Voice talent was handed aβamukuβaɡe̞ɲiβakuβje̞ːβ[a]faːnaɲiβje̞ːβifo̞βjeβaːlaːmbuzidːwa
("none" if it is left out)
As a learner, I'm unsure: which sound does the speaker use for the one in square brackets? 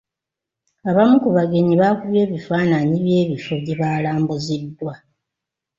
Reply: i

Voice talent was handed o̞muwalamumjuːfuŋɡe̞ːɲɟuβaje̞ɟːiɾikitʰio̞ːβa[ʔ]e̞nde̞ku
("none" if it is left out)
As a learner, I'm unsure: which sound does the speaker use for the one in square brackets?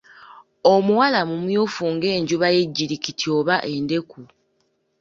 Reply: ʔ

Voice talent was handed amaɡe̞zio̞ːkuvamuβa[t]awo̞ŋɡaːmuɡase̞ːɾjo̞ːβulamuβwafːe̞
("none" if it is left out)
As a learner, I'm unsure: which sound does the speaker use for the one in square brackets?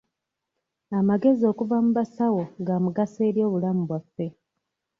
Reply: s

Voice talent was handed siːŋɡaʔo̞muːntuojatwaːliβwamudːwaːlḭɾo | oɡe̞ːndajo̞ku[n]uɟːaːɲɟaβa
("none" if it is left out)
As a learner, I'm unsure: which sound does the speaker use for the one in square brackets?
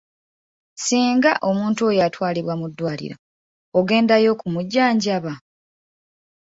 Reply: m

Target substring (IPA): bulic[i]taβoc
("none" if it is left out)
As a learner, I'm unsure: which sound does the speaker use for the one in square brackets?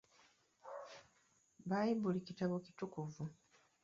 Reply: i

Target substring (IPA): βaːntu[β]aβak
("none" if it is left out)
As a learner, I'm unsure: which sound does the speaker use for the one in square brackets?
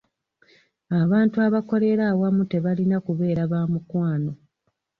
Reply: none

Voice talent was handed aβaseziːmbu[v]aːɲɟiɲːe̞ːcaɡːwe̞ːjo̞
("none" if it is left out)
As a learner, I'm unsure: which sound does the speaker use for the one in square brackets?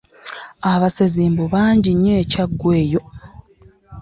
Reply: β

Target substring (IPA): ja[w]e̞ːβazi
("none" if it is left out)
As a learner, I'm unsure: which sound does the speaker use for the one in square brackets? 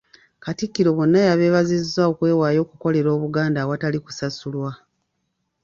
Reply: β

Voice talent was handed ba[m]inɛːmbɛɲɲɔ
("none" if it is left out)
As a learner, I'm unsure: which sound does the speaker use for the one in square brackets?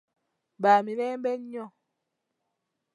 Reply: m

